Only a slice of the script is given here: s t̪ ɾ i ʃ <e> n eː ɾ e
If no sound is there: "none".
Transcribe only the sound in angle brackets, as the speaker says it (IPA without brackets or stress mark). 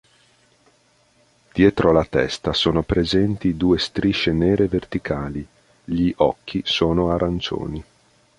e